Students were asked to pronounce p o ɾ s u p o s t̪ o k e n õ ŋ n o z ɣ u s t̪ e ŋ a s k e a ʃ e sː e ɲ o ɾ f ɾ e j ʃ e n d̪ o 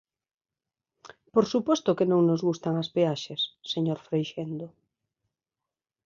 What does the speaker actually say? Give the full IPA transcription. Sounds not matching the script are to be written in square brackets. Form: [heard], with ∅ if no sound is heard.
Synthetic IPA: p o ɾ s u p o s t̪ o k e n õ ŋ n o z ɣ u s t̪ [a] ŋ a s [p] e a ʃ e sː e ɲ o ɾ f ɾ e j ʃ e n d̪ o

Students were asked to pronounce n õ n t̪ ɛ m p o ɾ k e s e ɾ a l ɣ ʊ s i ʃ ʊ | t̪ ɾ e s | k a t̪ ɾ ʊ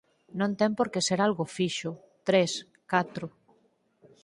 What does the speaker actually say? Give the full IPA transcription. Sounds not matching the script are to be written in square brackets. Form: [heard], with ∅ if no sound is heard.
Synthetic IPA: n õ n t̪ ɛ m p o ɾ k e s e ɾ a l ɣ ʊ [f] i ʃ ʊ | t̪ ɾ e s | k a t̪ ɾ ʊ

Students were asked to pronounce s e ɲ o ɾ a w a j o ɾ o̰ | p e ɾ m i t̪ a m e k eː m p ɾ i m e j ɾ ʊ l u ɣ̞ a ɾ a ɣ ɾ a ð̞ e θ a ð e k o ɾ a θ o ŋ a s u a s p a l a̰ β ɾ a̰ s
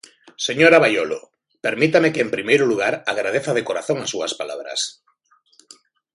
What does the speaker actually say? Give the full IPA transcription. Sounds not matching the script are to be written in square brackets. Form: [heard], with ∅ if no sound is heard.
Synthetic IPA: s e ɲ o ɾ a [β] a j o [l] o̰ | p e ɾ m i t̪ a m e k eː m p ɾ i m e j ɾ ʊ l u ɣ̞ a ɾ a ɣ ɾ a ð̞ e θ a ð e k o ɾ a θ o ŋ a s u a s p a l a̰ β ɾ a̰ s

